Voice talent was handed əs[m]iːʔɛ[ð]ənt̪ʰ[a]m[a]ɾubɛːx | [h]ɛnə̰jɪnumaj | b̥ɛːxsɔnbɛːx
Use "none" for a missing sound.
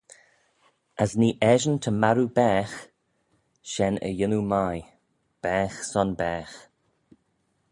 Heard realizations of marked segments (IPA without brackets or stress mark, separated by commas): n, ʒ, ə, a, ʃ